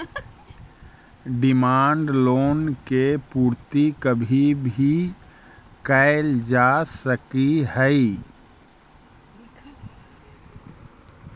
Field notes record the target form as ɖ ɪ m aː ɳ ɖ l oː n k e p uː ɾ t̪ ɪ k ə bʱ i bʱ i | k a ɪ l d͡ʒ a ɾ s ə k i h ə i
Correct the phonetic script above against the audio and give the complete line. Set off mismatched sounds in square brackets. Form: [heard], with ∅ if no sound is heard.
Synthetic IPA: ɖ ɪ m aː ɳ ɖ l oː n k e p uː ɾ t̪ [i] k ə bʱ i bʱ i | k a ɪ l d͡ʒ a [∅] s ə k i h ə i